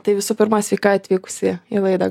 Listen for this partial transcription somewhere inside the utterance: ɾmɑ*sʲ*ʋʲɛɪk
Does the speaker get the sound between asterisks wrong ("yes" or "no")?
no